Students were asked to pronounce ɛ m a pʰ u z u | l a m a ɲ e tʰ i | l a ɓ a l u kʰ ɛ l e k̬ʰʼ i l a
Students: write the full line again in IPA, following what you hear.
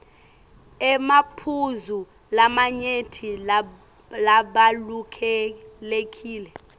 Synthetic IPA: ɛ m a pʰ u z u | l a m a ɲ e tʰ i | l a ɓ a l u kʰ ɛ l e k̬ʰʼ iː l ɛ